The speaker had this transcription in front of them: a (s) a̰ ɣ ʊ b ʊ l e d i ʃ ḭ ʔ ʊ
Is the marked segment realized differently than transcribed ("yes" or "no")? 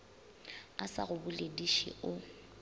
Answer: no